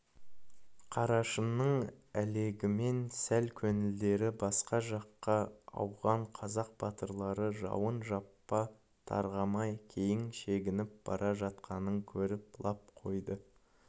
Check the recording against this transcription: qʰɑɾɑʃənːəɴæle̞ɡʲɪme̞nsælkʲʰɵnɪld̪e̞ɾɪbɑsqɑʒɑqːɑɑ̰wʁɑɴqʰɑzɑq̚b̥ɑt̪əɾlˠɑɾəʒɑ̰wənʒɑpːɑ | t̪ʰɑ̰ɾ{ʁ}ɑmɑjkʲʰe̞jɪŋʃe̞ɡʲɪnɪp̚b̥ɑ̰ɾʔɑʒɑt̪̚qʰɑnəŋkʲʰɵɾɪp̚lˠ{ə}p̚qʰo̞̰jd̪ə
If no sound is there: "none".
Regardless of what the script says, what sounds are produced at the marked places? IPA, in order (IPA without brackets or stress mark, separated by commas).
ʁ, ɑ